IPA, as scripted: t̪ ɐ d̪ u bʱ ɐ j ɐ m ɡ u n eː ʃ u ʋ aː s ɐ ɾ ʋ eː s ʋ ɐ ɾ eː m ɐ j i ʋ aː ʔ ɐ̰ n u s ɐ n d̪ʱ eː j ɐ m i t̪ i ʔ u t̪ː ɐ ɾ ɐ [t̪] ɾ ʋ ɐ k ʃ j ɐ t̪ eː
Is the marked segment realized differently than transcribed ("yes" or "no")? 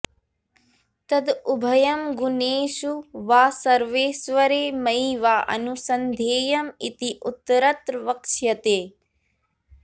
no